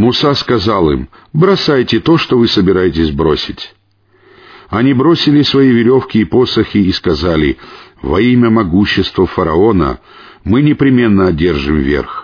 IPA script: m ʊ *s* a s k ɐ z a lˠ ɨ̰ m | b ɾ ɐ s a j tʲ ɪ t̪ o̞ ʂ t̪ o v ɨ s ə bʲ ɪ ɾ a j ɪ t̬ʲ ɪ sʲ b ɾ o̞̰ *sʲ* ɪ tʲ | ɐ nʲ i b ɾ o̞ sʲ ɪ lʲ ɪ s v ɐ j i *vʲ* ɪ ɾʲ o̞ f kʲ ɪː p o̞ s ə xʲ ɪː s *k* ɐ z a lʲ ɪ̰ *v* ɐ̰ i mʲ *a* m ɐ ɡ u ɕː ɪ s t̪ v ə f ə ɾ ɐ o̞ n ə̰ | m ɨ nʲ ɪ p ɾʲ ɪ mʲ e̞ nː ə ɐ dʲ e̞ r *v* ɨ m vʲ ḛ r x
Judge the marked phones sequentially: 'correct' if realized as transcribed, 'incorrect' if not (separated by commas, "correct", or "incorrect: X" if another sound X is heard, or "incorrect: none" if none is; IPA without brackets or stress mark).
correct, correct, correct, correct, correct, incorrect: ə, incorrect: ʐ